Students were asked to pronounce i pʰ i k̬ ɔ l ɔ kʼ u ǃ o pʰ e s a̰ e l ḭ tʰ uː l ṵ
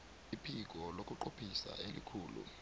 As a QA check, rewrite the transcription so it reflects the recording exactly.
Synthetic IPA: i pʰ i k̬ ɔ l o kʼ u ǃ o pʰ i s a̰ e l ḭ kʰ uː l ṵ